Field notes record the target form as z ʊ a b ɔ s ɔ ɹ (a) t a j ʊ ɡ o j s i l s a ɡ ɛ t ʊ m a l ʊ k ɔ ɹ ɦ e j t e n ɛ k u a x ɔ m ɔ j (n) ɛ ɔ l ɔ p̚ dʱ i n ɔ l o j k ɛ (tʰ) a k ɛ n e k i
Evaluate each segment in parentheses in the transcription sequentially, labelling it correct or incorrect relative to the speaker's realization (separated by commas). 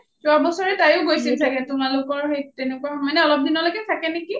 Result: incorrect, correct, correct